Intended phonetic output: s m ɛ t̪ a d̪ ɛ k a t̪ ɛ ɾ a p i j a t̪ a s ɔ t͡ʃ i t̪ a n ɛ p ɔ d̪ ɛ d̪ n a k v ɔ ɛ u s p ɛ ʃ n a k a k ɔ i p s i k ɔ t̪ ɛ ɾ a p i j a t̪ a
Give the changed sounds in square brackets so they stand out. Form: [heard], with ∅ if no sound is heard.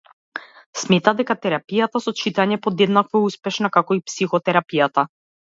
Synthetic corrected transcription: s m ɛ t̪ a d̪ ɛ k a t̪ ɛ ɾ a p i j a t̪ a s ɔ t͡ʃ i t̪ a [ɲ] ɛ p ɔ d̪ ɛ d̪ n a k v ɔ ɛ u s p ɛ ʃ n a k a k ɔ i p s i [x] ɔ t̪ ɛ ɾ a p i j a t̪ a